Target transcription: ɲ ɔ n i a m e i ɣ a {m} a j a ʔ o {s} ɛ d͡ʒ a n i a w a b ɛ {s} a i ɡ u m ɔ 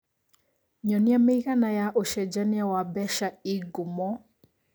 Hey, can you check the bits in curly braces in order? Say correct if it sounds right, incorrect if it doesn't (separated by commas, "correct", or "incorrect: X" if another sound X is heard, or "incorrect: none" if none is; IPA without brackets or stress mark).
incorrect: n, incorrect: ʃ, incorrect: ʃ